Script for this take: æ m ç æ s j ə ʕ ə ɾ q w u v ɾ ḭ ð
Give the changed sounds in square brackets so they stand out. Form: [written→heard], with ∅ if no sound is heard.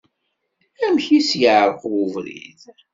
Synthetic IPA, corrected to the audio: æ m ç [æ→i] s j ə ʕ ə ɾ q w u v ɾ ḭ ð